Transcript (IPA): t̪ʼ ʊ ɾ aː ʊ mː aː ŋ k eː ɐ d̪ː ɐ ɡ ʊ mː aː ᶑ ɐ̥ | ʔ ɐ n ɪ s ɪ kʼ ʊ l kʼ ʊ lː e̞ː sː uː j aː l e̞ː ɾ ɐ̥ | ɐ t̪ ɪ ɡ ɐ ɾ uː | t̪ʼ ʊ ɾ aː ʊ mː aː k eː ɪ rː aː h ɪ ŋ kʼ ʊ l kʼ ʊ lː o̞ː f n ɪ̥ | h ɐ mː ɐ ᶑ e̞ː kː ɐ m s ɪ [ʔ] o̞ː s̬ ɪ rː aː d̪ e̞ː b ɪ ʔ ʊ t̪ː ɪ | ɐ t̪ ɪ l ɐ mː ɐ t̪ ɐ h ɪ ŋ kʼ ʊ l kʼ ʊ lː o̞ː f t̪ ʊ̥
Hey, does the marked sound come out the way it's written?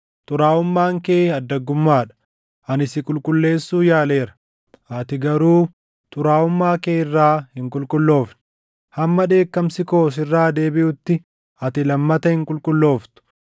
no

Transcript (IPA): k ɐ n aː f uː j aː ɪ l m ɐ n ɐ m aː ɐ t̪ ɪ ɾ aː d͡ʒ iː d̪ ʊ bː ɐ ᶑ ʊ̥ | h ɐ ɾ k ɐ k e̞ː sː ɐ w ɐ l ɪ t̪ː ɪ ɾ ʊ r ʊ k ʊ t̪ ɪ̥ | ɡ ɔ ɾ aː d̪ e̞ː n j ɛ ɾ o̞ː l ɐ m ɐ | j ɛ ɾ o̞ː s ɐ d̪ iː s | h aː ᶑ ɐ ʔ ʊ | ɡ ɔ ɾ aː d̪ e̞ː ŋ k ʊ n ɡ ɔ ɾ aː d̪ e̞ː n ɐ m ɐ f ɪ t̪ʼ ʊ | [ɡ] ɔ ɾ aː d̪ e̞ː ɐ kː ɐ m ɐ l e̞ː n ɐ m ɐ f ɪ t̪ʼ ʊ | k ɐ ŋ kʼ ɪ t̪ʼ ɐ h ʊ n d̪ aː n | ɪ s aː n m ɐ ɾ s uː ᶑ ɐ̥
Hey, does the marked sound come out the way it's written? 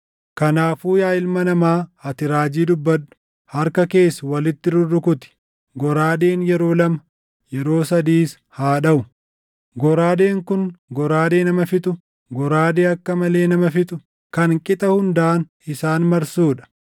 yes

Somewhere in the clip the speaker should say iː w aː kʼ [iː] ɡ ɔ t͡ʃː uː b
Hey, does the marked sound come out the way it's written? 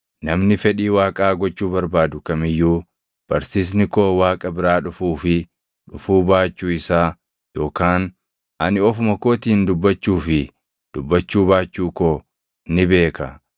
no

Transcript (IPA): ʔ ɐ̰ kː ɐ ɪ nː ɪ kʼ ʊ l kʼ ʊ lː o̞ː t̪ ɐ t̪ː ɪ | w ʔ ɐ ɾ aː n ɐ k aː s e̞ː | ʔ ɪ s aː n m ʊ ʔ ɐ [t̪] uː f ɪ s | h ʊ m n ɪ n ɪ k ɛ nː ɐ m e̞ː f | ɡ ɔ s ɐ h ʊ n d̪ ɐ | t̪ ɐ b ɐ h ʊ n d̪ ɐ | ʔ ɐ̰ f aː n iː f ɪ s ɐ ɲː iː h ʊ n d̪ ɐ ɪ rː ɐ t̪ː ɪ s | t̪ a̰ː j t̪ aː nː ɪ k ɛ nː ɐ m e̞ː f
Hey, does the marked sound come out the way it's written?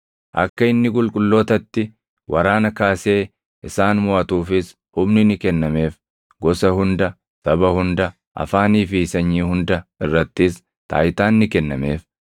yes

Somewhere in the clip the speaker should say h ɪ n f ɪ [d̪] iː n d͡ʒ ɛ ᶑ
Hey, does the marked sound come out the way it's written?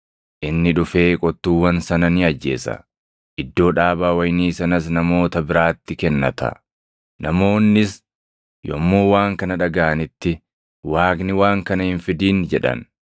yes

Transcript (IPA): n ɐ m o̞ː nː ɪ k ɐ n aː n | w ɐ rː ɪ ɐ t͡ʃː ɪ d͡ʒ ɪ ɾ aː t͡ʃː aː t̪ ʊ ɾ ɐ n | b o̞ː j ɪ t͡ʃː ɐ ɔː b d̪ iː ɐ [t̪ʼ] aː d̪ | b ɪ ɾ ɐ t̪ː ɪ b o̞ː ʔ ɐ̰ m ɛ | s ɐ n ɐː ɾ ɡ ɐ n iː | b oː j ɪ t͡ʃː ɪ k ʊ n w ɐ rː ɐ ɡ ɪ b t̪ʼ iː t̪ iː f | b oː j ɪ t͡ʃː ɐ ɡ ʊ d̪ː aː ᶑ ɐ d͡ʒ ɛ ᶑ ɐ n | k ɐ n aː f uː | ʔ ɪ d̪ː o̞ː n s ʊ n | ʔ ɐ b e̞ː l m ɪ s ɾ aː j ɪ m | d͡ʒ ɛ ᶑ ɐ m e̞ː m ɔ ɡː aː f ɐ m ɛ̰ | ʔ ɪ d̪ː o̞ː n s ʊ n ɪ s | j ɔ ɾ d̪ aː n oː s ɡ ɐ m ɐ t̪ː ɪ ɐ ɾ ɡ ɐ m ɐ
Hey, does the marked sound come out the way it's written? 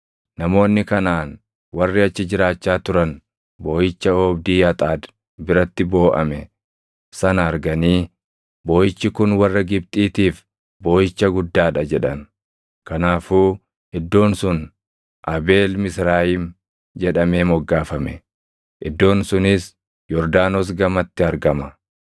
yes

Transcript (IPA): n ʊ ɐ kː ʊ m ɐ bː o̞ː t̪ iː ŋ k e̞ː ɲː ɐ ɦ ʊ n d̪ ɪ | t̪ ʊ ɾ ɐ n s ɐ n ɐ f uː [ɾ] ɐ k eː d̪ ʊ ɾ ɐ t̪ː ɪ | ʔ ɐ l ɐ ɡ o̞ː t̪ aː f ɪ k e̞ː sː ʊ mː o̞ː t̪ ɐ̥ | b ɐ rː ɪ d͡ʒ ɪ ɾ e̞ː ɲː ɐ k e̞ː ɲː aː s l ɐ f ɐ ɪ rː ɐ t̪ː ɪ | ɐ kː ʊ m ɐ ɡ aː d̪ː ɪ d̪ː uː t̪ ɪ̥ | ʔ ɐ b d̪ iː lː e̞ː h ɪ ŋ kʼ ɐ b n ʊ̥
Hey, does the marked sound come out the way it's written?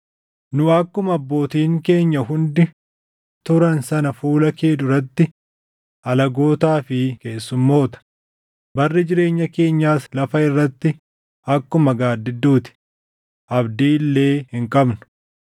no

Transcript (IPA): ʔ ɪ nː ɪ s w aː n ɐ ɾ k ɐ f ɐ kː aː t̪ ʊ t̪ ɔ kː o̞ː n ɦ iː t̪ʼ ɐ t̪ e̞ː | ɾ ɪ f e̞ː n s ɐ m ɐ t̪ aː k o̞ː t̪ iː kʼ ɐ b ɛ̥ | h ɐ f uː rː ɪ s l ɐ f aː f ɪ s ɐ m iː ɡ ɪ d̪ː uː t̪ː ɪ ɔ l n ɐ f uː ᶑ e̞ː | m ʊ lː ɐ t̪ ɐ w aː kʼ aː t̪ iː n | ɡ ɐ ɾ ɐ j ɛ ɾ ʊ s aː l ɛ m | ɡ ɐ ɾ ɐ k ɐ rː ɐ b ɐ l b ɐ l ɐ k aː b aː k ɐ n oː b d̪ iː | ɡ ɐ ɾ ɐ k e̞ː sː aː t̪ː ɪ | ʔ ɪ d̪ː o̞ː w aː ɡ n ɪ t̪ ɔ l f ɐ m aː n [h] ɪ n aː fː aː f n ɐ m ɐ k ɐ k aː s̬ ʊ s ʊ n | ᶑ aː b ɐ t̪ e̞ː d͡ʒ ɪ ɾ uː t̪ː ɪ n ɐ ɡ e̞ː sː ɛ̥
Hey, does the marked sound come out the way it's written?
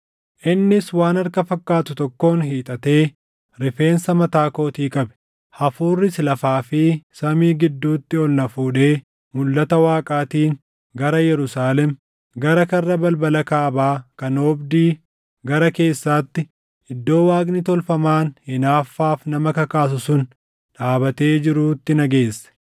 yes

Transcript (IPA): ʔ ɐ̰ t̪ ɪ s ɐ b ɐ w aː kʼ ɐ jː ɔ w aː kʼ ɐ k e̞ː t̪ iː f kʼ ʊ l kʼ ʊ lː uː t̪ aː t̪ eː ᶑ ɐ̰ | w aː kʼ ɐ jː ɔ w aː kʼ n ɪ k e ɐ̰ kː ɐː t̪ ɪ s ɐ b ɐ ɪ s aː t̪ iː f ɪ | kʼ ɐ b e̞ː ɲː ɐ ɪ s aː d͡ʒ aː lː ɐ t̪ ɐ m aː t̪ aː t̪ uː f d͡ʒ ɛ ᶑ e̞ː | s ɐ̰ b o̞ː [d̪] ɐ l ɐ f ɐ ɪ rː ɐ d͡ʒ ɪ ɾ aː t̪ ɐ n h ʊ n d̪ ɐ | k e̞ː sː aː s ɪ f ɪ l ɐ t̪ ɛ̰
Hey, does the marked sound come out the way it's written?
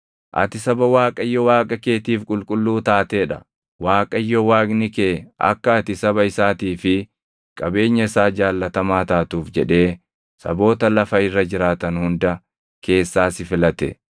no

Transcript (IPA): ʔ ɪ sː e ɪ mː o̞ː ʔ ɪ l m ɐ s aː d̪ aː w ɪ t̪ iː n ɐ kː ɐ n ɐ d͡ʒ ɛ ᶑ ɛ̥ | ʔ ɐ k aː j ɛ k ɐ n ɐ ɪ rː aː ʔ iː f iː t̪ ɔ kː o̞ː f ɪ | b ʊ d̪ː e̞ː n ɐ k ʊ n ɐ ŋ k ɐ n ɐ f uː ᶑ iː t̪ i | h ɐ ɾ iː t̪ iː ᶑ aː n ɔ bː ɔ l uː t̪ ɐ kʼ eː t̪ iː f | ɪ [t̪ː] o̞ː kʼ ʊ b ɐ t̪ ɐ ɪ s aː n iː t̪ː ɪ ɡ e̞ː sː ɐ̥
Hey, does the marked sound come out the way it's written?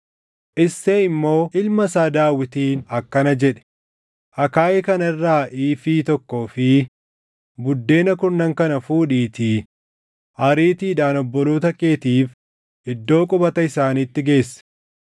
no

